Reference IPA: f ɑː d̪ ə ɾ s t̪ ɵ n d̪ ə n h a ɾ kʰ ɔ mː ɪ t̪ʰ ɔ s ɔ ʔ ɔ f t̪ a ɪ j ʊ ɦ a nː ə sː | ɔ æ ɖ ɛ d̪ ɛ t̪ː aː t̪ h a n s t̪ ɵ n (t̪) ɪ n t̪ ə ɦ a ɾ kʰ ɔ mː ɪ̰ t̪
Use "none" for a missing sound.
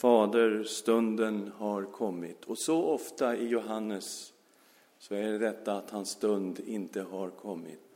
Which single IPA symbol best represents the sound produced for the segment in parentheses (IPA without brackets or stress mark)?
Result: d̪